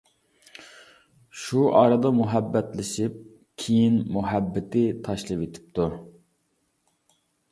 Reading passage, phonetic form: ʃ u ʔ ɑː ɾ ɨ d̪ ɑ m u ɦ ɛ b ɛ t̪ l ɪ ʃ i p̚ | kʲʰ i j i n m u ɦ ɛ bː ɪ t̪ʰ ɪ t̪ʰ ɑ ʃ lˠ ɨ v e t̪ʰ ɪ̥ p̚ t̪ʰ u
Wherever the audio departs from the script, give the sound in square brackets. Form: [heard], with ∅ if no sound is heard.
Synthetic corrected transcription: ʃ u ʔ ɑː ɾ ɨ d̪ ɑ m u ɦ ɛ [bː] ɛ t̪ l ɪ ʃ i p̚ | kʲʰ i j i n m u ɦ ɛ bː ɪ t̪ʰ ɪ t̪ʰ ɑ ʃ lˠ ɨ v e t̪ʰ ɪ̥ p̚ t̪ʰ u